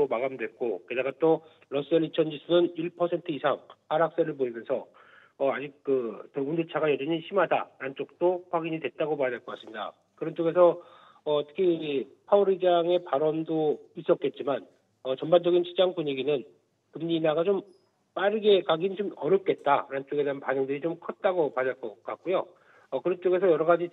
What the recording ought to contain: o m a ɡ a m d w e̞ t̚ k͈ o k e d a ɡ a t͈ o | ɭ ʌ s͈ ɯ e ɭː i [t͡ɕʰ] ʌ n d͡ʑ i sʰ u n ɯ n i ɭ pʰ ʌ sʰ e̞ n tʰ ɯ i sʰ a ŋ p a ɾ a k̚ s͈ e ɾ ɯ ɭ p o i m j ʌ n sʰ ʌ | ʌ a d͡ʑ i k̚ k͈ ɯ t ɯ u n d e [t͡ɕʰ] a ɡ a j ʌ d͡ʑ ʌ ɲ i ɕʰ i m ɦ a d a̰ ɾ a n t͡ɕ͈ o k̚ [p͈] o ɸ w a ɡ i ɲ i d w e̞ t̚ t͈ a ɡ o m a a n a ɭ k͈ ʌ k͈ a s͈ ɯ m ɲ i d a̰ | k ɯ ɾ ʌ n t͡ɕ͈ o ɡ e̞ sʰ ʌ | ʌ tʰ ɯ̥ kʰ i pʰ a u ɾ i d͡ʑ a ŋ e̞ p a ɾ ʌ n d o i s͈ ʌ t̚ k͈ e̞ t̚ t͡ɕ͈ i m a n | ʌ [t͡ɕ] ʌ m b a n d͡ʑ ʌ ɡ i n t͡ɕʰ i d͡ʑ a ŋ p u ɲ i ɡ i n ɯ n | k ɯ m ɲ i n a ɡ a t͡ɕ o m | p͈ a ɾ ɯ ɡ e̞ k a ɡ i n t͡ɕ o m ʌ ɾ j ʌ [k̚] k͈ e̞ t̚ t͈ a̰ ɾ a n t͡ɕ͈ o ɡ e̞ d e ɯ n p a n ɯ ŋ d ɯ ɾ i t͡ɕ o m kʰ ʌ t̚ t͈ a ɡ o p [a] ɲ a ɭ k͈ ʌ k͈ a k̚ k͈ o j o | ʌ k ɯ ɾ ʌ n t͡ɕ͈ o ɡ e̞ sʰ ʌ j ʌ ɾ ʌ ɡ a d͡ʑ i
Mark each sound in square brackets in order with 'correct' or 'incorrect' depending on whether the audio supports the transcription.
correct, correct, incorrect, correct, incorrect, correct

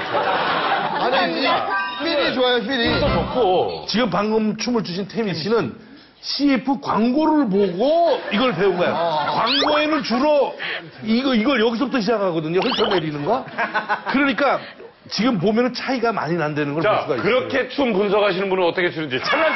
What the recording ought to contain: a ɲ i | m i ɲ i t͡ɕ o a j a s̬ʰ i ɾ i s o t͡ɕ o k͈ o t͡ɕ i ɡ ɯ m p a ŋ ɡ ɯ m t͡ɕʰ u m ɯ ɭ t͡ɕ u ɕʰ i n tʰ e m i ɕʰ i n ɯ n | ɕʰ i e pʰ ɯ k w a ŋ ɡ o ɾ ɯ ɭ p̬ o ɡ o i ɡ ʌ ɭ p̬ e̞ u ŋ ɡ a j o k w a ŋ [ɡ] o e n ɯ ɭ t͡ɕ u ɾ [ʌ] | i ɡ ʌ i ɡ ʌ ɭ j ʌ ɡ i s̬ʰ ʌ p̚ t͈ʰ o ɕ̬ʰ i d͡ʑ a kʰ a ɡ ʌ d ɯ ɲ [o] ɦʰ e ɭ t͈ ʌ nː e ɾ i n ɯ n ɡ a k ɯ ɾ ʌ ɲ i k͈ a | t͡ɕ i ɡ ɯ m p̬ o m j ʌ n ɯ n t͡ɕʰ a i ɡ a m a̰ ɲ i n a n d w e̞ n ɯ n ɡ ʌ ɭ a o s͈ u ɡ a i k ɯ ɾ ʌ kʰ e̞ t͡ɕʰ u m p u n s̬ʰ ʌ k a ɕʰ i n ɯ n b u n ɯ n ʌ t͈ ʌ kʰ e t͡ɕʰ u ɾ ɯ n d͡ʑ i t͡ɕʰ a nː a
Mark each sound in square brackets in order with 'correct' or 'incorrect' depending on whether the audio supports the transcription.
correct, correct, correct

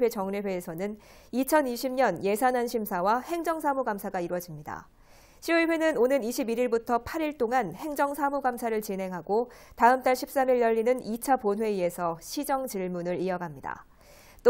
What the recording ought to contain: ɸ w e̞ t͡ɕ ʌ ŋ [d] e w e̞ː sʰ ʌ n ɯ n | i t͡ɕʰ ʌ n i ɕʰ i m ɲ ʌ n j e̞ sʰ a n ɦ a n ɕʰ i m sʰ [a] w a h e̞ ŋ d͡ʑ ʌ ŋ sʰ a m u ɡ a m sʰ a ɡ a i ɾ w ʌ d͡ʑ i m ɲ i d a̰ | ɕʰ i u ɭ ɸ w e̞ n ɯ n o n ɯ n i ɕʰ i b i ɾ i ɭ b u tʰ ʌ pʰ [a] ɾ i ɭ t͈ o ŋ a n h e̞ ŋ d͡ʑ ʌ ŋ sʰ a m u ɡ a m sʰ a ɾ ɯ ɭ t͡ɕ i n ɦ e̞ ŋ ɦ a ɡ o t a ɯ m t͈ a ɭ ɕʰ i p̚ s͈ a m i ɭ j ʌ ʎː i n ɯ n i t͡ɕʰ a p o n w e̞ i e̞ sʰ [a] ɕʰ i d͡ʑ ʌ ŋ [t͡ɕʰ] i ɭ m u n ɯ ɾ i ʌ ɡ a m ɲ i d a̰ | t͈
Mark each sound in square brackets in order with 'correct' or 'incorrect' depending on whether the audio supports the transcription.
incorrect, correct, correct, incorrect, incorrect

